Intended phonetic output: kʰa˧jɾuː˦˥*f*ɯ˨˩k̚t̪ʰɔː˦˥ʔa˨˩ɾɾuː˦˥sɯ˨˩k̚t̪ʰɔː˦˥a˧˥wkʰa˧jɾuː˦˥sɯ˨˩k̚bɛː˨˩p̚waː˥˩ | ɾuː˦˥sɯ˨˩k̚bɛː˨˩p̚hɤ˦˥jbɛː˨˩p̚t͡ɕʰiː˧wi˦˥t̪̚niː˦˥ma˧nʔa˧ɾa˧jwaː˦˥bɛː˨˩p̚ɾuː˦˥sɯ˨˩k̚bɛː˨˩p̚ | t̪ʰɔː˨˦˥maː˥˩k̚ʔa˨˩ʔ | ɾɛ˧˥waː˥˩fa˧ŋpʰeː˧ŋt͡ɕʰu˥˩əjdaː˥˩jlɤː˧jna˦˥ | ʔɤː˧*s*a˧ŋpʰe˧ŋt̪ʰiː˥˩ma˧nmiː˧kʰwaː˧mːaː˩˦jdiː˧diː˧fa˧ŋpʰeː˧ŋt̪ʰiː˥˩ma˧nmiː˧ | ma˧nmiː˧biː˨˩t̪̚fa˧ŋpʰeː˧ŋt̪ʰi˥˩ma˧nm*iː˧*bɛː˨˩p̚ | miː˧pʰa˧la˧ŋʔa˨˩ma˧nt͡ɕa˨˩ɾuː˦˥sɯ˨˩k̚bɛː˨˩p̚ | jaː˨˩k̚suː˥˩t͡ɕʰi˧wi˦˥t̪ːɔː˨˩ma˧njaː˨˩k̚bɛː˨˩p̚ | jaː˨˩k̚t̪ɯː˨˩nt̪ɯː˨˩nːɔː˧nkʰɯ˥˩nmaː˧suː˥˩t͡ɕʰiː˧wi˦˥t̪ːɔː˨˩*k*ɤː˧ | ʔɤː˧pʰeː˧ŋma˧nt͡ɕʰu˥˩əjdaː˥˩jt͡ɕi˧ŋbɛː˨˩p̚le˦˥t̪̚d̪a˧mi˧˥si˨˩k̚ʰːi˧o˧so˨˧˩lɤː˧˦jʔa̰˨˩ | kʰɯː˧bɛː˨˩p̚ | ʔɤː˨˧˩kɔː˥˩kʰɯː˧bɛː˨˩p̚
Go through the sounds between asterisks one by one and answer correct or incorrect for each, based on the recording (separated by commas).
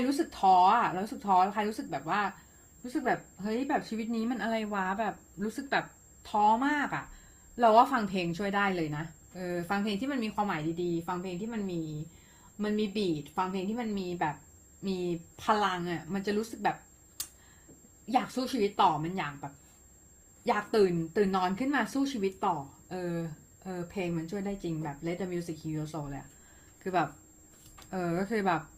incorrect, incorrect, correct, incorrect